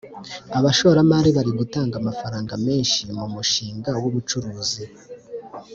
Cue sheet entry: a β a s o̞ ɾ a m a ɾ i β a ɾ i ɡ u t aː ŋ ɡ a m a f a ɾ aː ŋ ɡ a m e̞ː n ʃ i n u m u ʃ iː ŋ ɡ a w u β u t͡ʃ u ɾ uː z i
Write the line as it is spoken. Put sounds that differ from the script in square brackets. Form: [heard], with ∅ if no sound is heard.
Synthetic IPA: a β a [ʃ] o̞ ɾ a m a ɾ i β a ɾ i ɡ u t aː ŋ ɡ a m a f a ɾ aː ŋ ɡ a m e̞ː n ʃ i [m] u m u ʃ iː ŋ ɡ a w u β u t͡ʃ u ɾ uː z i